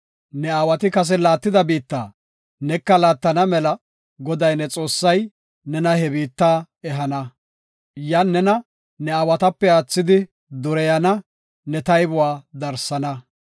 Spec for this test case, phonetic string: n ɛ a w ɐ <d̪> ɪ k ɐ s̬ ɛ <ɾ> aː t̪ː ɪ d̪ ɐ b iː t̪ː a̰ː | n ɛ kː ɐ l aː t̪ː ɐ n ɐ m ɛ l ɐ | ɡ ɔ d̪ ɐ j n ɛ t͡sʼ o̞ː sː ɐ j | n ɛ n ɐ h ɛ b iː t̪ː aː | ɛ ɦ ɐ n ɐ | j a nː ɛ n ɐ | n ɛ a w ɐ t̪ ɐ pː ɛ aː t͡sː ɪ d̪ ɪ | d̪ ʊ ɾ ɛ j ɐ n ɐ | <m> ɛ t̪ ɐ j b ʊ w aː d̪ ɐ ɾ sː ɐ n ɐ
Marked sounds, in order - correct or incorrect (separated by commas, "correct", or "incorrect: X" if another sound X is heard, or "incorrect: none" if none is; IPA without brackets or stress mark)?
incorrect: t̪, incorrect: l, incorrect: n